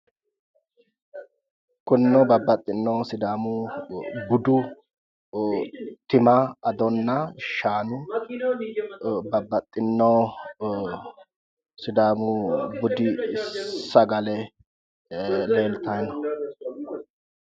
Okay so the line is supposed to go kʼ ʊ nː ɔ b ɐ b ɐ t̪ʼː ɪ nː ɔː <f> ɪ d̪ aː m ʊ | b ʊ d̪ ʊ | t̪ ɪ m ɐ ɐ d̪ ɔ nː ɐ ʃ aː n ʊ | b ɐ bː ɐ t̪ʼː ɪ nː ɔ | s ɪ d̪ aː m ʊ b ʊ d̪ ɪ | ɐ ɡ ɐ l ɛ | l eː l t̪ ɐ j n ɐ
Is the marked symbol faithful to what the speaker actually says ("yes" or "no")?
no